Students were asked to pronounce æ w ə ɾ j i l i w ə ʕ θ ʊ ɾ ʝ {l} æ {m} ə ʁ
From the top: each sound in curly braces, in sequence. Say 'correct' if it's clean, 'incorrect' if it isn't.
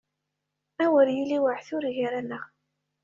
incorrect, incorrect

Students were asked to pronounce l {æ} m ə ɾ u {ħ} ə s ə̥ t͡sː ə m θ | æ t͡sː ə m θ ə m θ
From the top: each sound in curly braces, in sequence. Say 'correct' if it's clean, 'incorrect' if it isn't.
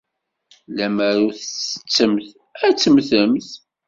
correct, incorrect

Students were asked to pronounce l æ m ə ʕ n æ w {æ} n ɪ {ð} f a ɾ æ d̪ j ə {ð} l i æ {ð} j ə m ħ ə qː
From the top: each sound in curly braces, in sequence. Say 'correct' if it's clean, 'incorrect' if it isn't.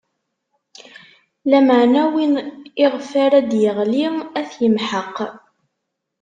incorrect, incorrect, incorrect, incorrect

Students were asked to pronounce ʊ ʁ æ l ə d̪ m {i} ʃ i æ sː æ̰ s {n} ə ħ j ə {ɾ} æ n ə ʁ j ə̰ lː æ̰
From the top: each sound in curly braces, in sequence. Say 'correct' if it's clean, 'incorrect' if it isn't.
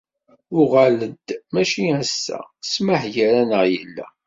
incorrect, incorrect, correct

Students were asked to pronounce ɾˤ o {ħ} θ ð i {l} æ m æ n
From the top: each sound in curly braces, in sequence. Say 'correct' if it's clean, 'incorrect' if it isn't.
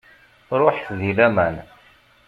correct, correct

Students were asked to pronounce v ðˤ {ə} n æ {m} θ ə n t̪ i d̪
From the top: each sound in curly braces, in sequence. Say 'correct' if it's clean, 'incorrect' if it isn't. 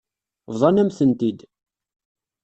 incorrect, correct

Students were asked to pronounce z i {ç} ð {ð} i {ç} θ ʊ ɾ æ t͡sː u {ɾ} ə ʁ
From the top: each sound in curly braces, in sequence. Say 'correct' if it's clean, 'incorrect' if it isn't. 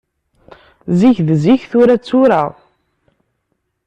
correct, incorrect, correct, correct

